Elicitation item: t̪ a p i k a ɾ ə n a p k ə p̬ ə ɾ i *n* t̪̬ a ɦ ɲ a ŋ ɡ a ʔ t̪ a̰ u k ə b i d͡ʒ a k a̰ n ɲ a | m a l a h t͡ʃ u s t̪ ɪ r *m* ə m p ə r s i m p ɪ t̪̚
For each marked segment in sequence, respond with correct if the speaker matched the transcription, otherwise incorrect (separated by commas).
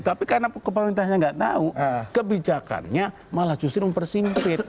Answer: correct, correct